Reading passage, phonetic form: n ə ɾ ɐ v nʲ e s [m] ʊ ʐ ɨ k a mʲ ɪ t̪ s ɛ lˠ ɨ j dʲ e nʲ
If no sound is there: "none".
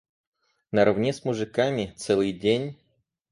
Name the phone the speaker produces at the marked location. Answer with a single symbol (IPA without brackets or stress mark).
m